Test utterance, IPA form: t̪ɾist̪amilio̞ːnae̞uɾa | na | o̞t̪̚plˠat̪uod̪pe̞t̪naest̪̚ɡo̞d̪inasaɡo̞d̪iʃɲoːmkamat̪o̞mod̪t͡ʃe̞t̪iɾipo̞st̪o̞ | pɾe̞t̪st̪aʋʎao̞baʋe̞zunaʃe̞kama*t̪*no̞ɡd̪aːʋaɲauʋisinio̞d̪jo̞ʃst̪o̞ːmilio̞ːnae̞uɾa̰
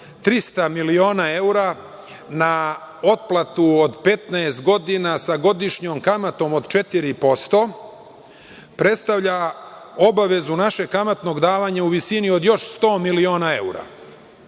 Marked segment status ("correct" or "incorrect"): correct